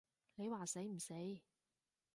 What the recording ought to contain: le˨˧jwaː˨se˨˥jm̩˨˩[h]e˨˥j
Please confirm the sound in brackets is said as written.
no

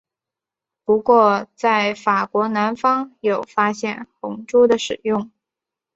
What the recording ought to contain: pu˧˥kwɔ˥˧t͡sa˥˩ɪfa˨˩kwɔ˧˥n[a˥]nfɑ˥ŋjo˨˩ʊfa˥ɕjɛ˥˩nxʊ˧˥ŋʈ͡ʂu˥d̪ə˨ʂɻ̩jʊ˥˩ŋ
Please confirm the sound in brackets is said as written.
no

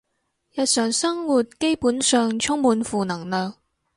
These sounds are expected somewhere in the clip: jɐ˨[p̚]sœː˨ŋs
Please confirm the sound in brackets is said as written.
no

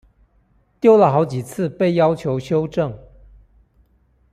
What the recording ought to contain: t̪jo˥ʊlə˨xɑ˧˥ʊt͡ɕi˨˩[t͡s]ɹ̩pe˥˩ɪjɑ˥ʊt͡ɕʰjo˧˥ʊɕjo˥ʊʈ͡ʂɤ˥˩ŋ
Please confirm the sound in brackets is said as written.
no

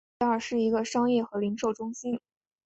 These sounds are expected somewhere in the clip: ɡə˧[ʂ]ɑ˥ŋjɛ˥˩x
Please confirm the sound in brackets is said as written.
yes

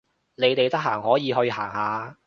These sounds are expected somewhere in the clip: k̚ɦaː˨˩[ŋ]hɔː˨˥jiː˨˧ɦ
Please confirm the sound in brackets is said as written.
yes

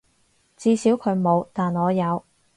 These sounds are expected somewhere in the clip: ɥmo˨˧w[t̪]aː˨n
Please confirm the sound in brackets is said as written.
yes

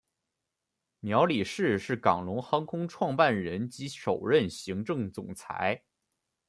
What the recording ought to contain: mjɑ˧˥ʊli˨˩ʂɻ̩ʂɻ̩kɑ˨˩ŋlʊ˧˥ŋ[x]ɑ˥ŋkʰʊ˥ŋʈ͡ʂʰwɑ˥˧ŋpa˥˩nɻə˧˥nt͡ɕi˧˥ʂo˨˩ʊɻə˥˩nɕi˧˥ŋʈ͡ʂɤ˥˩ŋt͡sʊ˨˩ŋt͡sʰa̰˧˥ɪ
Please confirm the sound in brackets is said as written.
yes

